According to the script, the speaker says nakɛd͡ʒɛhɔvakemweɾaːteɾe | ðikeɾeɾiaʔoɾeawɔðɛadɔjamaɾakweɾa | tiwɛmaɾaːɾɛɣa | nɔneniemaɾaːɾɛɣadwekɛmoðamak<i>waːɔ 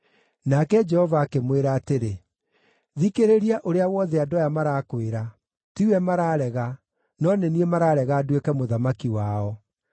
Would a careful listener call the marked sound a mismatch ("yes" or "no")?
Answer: no